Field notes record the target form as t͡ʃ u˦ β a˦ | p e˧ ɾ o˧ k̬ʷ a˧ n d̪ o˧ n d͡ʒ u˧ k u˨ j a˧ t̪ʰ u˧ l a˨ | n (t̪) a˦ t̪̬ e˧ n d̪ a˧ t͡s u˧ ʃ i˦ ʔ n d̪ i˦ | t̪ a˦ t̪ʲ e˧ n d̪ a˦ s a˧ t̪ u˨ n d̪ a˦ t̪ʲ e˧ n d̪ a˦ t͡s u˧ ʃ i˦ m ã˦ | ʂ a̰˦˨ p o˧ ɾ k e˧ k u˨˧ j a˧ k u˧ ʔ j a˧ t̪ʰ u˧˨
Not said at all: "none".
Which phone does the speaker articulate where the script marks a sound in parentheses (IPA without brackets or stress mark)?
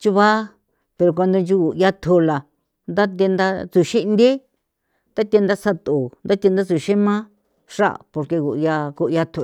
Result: d̪